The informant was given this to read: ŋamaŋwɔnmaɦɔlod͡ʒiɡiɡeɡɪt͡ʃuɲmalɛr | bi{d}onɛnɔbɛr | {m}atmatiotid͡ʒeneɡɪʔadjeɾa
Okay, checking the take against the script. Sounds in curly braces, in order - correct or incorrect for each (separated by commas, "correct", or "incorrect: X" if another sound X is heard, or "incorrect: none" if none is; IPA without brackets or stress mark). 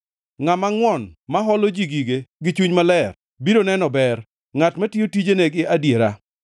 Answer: correct, incorrect: ŋ